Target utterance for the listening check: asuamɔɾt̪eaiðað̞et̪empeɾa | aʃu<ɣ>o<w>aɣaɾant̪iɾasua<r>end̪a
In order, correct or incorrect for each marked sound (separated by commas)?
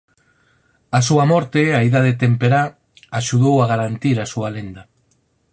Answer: incorrect, correct, incorrect